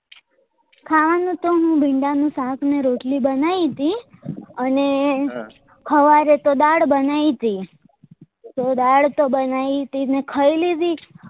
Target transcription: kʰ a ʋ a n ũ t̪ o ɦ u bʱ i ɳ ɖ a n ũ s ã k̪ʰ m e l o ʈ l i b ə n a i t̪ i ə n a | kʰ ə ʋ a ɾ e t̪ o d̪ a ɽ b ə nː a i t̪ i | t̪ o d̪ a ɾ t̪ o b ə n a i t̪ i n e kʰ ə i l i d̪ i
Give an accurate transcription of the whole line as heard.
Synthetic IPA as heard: kʰ a ʋ a n ũ t̪ o ɦ ũ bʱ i ɳ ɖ a n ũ s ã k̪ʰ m e ɾ o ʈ l i b ə n a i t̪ i ə n e | kʰ ə ʋ a ɾ e t̪ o d̪ a ɽ b ə n a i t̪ i | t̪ o d̪ a ɽ t̪ o b ə n a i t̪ i n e kʰ ə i l i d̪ i